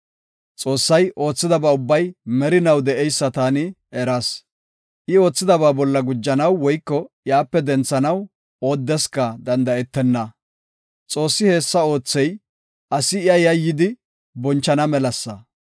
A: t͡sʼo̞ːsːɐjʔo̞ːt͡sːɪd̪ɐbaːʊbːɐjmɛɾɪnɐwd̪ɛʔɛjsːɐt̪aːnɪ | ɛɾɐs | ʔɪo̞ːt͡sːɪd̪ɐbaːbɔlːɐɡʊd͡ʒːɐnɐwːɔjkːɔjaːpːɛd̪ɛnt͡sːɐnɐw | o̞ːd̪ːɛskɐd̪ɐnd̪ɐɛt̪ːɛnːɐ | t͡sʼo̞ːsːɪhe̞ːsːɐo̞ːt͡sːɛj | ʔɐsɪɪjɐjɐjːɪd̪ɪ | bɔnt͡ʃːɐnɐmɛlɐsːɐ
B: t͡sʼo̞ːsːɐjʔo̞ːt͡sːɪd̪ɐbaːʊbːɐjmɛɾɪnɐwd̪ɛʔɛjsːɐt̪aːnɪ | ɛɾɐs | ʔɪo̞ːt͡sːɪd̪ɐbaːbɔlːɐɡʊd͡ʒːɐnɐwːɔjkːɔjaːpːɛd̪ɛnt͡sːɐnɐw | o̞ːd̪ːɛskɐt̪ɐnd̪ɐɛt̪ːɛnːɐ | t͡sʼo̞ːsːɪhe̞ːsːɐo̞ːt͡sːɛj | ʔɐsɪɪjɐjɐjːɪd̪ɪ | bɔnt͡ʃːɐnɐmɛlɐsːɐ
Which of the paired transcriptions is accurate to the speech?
A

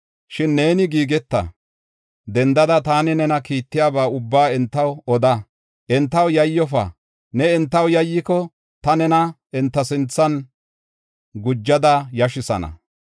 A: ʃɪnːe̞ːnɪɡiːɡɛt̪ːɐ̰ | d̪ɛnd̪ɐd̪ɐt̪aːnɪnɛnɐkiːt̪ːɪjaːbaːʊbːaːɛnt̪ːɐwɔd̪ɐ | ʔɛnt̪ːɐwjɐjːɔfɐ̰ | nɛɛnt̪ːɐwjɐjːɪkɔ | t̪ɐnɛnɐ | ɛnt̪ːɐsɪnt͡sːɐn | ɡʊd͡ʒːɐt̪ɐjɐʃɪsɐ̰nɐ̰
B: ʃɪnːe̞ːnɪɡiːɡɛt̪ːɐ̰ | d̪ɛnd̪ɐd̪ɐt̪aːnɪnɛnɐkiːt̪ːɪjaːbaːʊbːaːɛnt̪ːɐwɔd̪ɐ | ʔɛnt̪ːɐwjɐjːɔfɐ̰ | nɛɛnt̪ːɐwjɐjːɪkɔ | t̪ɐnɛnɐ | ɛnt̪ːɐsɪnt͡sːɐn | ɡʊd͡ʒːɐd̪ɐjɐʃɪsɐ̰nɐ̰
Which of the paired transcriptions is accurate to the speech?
B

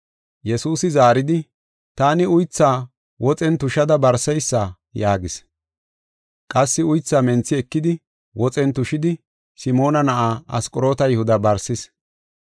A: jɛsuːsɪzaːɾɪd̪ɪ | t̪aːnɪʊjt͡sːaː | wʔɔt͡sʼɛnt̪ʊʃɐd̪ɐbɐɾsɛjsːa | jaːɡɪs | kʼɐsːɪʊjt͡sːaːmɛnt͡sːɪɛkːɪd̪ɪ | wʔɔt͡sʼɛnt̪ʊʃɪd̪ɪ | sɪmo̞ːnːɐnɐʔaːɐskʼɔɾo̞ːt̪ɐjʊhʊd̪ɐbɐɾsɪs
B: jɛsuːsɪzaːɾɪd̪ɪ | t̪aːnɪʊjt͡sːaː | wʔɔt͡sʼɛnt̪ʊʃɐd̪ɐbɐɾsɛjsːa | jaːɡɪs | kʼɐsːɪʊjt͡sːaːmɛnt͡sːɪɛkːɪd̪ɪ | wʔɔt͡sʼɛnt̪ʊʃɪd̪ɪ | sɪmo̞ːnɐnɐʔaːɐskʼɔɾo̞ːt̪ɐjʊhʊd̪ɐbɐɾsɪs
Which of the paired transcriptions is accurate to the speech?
B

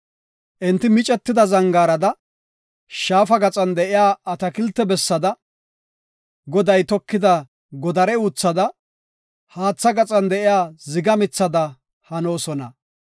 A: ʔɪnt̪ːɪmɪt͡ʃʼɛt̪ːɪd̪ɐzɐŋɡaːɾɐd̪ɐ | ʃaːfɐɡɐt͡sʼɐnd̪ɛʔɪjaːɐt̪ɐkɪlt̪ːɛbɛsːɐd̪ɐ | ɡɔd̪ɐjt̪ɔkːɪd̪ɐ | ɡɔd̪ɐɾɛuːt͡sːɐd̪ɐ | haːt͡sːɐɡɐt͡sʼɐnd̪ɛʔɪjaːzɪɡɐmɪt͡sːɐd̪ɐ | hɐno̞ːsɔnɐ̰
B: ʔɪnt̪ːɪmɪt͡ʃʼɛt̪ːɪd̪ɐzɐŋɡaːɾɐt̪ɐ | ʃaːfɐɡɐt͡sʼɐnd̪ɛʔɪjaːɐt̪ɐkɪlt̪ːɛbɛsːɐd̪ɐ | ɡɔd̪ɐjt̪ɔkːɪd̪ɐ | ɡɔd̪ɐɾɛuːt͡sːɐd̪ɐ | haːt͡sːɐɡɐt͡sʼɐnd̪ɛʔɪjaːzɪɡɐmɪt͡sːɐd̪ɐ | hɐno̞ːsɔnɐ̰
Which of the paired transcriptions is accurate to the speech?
A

